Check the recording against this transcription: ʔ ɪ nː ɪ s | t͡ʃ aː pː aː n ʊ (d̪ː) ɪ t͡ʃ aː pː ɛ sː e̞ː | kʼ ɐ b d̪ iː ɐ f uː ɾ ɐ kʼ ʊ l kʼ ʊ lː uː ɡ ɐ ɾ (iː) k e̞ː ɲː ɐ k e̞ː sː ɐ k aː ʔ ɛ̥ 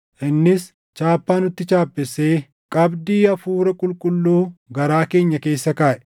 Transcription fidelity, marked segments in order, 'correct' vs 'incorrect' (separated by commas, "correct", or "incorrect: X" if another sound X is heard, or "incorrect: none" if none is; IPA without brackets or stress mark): incorrect: t̪ː, incorrect: aː